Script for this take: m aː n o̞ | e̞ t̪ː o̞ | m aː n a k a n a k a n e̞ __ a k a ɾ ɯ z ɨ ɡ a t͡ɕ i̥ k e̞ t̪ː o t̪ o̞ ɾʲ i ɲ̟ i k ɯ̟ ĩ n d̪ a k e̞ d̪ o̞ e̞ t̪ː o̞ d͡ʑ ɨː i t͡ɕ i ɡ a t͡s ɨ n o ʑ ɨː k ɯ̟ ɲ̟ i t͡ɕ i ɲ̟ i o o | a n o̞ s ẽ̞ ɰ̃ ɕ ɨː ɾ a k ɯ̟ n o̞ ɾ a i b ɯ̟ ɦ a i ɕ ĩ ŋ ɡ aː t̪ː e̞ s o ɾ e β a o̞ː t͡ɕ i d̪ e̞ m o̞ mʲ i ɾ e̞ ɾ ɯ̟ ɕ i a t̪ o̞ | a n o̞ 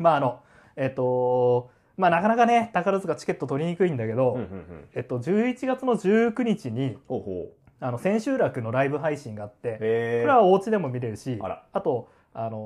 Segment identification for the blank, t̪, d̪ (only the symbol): t̪